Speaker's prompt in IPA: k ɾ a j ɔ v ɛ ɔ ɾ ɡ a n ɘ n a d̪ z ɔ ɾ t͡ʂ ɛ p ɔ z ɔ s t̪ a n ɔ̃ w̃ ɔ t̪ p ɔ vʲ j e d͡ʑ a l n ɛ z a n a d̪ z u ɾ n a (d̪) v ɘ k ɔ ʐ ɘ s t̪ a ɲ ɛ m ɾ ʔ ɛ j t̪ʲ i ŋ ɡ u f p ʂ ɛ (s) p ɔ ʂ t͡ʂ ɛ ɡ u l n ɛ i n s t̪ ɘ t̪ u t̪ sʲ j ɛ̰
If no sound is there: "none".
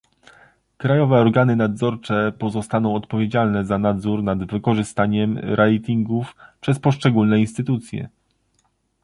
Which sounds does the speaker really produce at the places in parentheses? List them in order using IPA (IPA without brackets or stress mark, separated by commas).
d̪, s